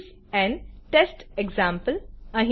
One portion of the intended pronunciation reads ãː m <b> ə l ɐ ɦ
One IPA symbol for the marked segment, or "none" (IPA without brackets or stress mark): p